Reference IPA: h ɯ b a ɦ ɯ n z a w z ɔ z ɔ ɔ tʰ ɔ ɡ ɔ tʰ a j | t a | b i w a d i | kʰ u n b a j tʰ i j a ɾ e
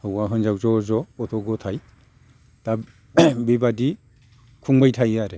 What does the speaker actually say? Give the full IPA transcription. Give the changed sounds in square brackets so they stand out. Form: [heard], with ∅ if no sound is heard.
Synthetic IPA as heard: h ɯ [w] a ɦ ɯ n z a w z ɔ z ɔ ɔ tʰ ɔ ɡ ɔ tʰ a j | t a | b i [b] a d i | kʰ u [ŋ] b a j tʰ [a] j a ɾ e